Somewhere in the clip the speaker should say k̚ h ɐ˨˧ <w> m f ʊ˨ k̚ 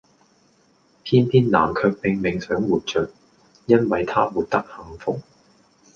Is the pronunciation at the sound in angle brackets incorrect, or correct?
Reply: incorrect